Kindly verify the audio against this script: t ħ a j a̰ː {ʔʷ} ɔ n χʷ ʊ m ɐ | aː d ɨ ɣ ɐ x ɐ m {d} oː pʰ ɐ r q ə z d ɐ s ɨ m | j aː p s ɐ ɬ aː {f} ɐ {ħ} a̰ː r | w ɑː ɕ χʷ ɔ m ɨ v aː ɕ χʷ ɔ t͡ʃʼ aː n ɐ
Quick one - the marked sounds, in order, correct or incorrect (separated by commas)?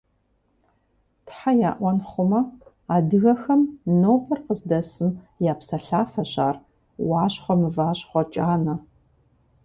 correct, incorrect, correct, incorrect